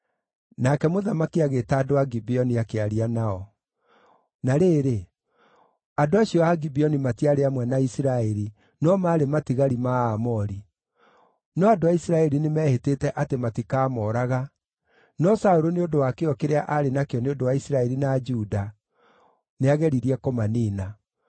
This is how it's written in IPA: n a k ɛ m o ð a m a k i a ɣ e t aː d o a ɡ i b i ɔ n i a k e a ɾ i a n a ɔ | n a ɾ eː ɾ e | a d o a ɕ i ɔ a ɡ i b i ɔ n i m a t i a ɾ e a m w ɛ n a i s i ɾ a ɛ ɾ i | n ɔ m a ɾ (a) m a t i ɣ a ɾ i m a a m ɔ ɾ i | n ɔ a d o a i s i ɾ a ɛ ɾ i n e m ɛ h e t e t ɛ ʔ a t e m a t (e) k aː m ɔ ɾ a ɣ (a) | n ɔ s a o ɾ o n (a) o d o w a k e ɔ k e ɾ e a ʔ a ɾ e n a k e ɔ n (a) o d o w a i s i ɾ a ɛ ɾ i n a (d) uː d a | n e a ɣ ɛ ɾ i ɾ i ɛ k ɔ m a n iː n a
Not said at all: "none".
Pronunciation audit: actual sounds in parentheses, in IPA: e, i, a, e, e, d͡ʒ

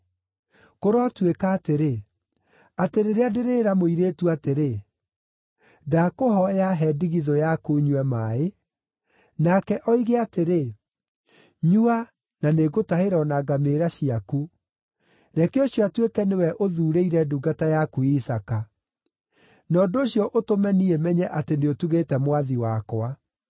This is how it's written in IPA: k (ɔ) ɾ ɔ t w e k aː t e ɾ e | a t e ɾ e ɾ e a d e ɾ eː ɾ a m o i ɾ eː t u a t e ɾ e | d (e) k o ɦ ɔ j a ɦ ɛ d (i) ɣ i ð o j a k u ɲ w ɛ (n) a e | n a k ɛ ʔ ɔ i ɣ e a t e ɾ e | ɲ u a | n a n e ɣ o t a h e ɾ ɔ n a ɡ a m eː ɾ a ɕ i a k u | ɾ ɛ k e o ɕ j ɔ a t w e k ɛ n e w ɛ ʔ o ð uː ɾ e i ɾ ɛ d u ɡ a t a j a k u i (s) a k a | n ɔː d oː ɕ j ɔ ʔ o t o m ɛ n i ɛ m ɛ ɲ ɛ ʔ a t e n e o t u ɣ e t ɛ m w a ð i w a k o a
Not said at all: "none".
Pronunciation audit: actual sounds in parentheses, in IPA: o, a, i, m, s

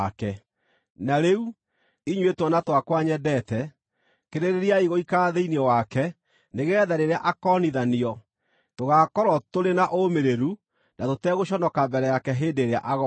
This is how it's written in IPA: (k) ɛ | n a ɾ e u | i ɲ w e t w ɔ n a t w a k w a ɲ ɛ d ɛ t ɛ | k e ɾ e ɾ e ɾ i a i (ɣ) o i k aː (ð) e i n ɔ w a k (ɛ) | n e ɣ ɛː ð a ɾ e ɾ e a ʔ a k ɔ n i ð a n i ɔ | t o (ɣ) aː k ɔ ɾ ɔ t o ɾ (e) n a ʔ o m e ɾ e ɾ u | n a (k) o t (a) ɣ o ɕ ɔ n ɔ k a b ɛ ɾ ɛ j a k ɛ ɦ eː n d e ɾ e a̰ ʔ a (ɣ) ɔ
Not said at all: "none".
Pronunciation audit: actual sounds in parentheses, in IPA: k, ɣ, ð, ɛ, ɣ, e, t, ɛ, ɣ

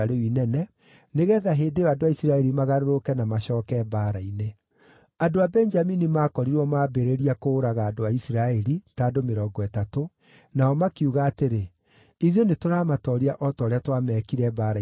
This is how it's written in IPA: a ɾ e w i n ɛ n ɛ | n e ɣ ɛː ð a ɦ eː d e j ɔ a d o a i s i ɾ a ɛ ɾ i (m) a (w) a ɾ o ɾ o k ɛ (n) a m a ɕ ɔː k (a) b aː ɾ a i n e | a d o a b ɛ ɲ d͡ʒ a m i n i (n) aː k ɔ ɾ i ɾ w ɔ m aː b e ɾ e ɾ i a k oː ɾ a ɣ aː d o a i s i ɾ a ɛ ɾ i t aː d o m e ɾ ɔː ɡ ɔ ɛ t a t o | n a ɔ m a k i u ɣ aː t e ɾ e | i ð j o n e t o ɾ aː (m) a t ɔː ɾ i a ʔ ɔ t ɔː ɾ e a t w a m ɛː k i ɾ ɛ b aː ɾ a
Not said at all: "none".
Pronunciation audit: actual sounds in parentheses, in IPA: m, ɣ, n, ɛ, m, m

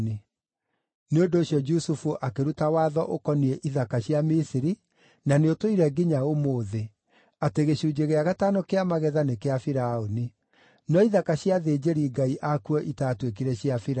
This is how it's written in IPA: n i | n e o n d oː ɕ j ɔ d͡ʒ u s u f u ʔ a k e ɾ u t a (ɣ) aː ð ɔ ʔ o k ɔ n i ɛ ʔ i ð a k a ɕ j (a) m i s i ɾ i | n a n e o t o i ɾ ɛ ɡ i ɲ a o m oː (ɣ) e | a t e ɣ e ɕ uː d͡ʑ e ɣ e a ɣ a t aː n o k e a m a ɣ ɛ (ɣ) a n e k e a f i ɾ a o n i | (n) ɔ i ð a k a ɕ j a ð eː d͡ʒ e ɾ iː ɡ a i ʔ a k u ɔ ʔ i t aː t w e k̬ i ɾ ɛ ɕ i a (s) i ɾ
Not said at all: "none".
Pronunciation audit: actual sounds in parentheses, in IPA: w, a, ð, ð, n, f

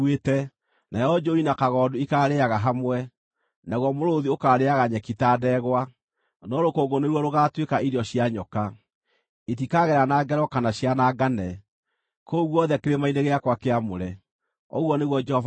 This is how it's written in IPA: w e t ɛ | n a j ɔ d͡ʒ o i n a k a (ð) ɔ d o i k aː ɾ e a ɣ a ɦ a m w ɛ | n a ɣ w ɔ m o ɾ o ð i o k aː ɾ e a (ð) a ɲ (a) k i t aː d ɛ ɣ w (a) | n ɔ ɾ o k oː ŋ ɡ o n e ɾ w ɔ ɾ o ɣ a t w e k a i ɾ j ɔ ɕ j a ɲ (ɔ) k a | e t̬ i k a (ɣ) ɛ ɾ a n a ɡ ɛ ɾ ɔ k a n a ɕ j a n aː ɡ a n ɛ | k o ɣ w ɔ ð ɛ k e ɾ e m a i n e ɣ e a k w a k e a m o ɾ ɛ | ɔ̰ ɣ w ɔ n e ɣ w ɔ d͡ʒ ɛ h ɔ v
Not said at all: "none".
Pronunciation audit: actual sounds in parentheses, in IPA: ɣ, ɣ, ɛ, a, ɔ, ɣ

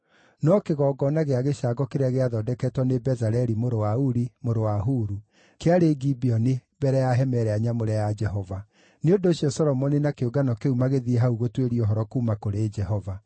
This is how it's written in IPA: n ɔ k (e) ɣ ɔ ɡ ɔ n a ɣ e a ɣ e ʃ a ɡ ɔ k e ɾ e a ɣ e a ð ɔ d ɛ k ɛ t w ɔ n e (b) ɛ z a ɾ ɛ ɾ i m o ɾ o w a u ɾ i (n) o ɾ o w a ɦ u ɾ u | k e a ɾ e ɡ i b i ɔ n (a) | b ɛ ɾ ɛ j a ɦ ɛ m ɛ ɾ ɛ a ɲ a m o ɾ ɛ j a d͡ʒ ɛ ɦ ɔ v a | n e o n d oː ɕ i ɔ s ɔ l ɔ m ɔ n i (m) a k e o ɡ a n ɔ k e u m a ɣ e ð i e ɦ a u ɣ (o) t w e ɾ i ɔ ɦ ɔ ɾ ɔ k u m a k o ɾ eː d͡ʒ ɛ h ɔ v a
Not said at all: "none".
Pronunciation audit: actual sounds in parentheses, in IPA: e, b, m, e, n, o

